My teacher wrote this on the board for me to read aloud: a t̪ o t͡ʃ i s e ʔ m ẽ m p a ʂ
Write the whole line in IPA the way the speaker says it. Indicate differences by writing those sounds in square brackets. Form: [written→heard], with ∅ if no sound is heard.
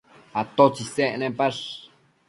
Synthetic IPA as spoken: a t̪ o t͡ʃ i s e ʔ [m→n] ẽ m p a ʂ